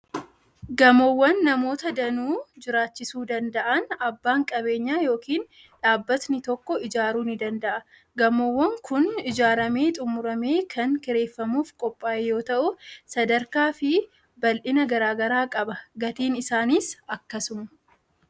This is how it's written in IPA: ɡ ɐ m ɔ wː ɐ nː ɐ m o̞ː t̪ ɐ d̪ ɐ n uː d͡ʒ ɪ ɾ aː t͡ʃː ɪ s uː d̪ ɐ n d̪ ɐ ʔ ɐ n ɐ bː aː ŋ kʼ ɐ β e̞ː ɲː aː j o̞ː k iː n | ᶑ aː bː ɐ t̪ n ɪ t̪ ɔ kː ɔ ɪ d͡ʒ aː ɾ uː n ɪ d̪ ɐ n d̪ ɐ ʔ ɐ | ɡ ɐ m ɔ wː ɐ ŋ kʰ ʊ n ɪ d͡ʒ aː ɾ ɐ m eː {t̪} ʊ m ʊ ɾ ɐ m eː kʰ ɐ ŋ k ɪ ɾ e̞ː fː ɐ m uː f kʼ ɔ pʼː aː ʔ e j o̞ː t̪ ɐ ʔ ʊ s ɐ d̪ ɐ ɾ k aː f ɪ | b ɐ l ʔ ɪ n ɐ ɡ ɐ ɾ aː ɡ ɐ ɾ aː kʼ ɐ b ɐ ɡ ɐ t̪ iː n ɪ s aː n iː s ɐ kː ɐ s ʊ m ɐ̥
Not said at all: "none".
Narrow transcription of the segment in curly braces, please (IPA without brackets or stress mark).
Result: t̪ʼ